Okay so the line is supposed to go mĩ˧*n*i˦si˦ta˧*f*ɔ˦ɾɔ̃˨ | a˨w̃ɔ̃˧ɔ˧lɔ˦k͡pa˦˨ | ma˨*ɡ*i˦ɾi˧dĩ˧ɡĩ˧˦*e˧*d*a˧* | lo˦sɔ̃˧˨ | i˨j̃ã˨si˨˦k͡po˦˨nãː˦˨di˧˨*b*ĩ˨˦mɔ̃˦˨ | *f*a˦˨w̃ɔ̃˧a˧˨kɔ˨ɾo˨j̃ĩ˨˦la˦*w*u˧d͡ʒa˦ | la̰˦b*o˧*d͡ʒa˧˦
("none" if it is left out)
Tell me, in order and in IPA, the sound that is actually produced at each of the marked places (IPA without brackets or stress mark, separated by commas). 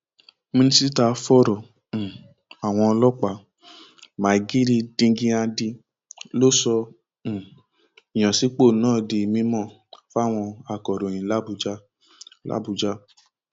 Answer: n, f, ɡ, a˧, i˧, m, f, b, u˧